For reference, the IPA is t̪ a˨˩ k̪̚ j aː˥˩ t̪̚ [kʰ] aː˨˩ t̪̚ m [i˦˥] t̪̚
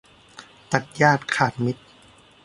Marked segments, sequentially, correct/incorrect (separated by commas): correct, correct